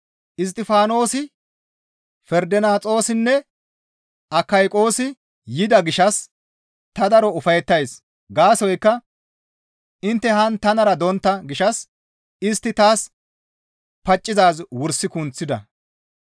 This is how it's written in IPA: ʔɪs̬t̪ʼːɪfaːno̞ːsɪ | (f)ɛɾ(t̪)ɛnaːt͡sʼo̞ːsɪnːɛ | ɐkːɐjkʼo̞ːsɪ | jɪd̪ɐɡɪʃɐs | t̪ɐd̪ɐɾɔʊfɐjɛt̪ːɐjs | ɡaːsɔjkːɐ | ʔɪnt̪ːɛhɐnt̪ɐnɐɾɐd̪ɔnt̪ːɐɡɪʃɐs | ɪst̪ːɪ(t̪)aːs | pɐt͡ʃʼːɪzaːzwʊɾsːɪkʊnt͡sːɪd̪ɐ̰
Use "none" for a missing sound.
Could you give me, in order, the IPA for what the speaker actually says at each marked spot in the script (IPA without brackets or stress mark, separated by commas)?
f, d̪, t̪